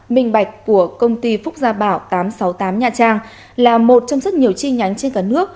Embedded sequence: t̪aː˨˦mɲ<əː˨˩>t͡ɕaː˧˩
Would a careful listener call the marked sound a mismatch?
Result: yes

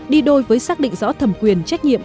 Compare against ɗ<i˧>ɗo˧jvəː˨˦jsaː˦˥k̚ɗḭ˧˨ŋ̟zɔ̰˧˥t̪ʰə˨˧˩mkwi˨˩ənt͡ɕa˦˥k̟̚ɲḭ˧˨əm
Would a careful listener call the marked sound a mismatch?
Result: no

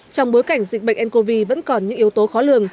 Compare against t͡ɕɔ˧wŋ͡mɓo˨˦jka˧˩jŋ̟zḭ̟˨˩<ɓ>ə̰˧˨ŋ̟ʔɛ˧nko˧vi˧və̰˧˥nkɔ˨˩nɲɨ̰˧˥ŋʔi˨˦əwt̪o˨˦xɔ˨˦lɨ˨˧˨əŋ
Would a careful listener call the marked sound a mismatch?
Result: no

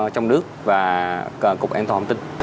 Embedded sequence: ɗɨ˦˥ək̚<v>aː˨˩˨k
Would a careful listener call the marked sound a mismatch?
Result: no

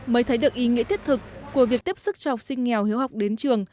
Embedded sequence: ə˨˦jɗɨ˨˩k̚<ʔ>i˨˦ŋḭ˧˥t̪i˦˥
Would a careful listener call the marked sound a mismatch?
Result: no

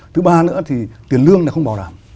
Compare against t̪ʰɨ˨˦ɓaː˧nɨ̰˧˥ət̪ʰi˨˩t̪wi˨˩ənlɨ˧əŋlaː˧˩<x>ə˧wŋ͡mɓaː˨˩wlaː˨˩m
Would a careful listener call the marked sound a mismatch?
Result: no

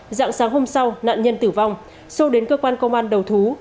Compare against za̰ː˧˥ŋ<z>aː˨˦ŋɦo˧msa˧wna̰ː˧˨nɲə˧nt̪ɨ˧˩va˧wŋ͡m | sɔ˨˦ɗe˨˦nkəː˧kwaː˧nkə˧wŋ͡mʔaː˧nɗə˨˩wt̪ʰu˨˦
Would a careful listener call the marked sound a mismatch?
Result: yes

